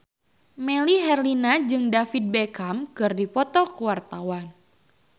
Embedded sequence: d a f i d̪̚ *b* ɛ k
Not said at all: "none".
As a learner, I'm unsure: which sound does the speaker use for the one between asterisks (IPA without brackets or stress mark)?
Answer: b